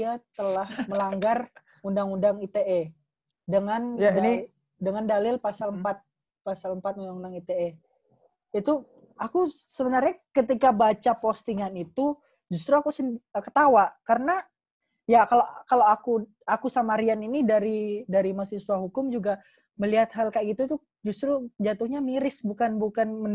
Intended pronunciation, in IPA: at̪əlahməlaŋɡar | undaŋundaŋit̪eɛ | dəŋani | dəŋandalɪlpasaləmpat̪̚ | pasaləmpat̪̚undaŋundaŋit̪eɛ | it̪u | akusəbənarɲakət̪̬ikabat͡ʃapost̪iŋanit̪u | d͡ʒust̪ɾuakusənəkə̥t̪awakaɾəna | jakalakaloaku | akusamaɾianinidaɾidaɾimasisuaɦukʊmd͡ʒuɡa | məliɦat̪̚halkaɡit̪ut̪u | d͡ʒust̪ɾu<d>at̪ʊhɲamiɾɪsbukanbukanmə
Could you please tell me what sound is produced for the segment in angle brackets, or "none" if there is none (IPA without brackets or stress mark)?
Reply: d͡ʒ